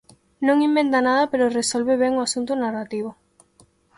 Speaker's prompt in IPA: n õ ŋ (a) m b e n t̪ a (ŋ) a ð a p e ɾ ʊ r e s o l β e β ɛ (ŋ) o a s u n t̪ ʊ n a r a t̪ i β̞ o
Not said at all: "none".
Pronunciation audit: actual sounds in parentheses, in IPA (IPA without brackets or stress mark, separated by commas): i, n, ŋ